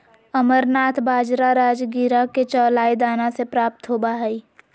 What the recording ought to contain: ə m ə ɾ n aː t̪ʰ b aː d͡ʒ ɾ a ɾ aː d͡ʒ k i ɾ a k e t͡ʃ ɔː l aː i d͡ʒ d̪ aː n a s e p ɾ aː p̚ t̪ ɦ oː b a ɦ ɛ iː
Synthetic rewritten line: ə m ə ɾ n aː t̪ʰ b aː d͡ʒ ɾ a ɾ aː d͡ʒ ɡ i ɾ a k e t͡ʃ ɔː l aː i d̪ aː n a s e p ɾ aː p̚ t̪ ɦ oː b a ɦ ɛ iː